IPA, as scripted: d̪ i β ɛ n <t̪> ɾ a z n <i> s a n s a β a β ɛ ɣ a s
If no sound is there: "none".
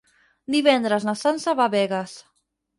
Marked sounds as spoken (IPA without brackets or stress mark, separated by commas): d̪, a